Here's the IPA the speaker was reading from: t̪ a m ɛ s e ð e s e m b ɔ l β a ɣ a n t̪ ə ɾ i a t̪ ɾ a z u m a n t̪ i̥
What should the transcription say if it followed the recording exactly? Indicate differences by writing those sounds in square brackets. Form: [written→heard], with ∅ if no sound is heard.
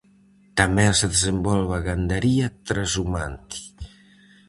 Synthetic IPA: t̪ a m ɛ s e ð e [s→z] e m b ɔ l β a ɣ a n [t̪→d̪] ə ɾ i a t̪ ɾ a z u m a n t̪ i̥

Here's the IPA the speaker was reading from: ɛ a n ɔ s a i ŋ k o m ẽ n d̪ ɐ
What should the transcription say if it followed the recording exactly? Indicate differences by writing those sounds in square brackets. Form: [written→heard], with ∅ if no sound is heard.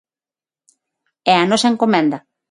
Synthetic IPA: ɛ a n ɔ s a [i→e] ŋ k o m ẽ n d̪ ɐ

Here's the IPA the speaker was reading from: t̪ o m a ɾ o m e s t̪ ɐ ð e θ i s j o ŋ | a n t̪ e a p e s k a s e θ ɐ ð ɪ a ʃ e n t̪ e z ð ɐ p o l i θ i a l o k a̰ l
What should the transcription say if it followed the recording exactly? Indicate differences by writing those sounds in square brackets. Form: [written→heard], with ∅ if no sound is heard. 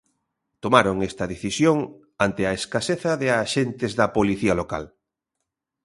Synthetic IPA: t̪ o m a ɾ o [m→ŋ] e s t̪ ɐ ð e θ i s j o ŋ | a n t̪ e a [p→∅] e s k a s e θ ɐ ð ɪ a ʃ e n t̪ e z ð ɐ p o l i θ i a l o k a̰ l

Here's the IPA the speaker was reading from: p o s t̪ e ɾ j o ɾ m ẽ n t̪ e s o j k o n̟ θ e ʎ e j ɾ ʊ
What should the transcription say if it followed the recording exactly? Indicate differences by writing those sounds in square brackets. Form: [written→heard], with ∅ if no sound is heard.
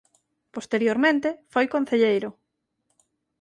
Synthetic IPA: p o s t̪ e ɾ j o ɾ m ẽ n t̪ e [s→f] o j k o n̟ θ e ʎ e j ɾ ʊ

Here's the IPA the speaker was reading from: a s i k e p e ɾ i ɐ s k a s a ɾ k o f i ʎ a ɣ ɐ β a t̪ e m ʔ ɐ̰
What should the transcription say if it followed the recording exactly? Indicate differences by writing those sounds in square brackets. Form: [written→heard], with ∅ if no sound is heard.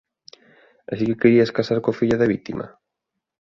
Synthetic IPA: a s i k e [p→k] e ɾ i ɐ s k a s a ɾ k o f i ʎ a [ɣ→ð] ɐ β [a→i] t̪ [e→i] m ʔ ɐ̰

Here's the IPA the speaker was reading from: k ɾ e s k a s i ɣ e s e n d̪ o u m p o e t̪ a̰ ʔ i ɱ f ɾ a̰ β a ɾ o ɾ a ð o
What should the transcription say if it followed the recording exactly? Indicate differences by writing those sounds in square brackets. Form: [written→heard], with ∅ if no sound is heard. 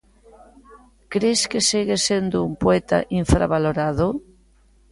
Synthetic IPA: k ɾ e s k [a→e] s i ɣ e s e n d̪ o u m p o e t̪ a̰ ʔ i ɱ f ɾ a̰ β a [ɾ→l] o ɾ a ð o

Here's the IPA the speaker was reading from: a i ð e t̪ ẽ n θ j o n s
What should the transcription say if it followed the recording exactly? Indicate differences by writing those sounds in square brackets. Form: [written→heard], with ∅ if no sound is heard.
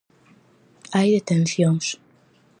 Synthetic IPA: a [i→j] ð e t̪ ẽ n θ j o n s

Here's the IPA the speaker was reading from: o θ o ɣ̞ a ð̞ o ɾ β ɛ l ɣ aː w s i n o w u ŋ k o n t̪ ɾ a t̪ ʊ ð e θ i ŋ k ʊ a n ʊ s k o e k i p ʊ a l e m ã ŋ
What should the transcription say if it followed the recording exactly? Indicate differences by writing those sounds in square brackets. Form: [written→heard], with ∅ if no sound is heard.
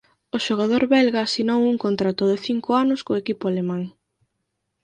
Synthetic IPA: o [θ→ʃ] o ɣ̞ a ð̞ o ɾ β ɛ l ɣ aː [w→∅] s i n o w u ŋ k o n t̪ ɾ a t̪ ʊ ð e θ i ŋ k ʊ a n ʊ s k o e k i p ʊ a l e m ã ŋ

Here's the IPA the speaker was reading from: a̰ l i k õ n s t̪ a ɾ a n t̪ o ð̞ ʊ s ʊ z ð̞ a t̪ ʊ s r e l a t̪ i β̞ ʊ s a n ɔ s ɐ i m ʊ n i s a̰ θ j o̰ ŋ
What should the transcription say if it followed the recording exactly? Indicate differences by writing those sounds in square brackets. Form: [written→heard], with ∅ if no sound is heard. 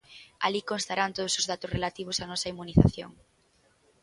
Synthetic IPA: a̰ l i k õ n s t̪ a ɾ a n t̪ o ð̞ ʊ s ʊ z ð̞ a t̪ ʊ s r e l a t̪ i β̞ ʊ s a n ɔ s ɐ i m [ʊ→u] n i [s→θ] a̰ θ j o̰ ŋ

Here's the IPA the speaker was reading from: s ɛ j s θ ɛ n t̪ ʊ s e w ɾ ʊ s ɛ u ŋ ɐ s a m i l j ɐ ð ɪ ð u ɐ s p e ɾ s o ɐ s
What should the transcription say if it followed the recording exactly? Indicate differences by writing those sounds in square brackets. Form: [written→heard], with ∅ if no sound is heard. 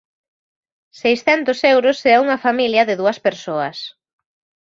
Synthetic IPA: s [ɛ→e] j s θ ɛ n t̪ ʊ s e w ɾ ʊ s ɛ u ŋ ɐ [s→f] a m i l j ɐ ð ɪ ð u ɐ s p e ɾ s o ɐ s

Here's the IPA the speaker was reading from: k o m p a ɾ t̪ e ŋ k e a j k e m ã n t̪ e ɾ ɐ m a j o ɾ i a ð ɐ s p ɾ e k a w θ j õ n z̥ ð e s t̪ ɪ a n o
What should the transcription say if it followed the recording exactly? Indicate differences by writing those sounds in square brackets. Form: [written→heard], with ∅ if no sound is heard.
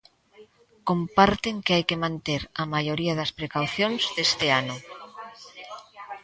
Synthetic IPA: k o m p a ɾ t̪ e ŋ k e a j k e m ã n t̪ e ɾ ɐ m a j o ɾ i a ð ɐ s p ɾ e k a w θ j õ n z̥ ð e s t̪ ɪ a n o

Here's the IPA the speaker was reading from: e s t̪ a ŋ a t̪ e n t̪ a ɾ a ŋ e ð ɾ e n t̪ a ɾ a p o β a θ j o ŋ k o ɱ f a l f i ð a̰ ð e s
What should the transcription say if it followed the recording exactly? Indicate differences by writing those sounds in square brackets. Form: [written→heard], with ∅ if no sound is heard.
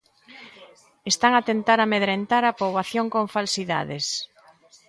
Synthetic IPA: e s t̪ a ŋ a t̪ e n t̪ a ɾ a [ŋ→m] e ð ɾ e n t̪ a ɾ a p o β a θ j o ŋ k o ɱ f a l [f→s] i ð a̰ ð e s

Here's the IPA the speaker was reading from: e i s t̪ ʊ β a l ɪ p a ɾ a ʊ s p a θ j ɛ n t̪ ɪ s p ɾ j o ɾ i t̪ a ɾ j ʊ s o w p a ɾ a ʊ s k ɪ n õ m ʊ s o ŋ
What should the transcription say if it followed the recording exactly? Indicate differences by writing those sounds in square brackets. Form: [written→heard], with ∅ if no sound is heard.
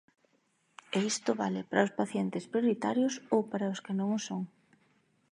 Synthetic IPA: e i s t̪ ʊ β a l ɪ p a ɾ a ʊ s p a θ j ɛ n t̪ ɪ s p ɾ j o ɾ i t̪ a ɾ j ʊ s o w p a ɾ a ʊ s k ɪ n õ [m→ŋ] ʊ s o ŋ

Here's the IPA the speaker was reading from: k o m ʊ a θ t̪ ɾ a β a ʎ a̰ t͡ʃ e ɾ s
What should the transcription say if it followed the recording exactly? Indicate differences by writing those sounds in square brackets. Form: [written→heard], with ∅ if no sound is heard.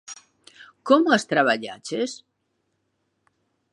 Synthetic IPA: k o m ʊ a [θ→s] t̪ ɾ a β a ʎ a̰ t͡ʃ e [ɾ→∅] s

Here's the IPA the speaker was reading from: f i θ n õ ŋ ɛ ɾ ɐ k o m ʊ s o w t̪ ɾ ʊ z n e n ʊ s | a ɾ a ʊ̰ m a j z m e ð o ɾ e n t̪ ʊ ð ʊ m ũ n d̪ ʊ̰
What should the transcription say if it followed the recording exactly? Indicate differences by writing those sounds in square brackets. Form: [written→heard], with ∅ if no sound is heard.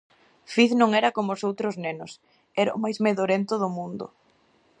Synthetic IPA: f i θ n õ ŋ ɛ ɾ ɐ k o m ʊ s o w t̪ ɾ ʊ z n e n ʊ s | [a→ɛ] ɾ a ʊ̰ m a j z m e ð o ɾ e n t̪ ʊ ð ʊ m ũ n d̪ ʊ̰

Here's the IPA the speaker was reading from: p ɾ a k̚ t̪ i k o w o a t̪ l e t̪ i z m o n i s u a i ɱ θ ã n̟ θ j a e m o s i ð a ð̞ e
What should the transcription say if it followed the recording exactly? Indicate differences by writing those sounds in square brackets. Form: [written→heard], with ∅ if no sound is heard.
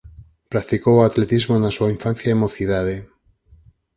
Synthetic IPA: p ɾ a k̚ t̪ i k o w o a t̪ l e t̪ i z m o n [i→a] s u a i ɱ [θ→f] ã n̟ θ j a e m o [s→θ] i ð a ð̞ e

